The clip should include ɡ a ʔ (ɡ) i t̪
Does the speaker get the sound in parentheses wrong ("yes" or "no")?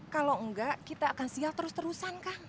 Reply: yes